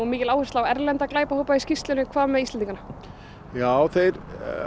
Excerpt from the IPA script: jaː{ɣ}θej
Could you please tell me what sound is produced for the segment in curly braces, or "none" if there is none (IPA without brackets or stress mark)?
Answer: w